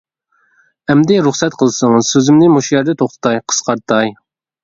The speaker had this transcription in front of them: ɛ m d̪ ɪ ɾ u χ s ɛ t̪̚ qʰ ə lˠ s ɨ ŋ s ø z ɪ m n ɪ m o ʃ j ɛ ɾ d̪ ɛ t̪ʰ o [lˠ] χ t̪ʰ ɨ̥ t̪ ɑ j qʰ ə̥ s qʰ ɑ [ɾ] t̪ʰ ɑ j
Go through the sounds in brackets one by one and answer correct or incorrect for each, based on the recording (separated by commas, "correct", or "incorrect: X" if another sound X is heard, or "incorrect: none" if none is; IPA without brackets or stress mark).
incorrect: none, correct